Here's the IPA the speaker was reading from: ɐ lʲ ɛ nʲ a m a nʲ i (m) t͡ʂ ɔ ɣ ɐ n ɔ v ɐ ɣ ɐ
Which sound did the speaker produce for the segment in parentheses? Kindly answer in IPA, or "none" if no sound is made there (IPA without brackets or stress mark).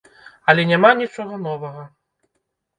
none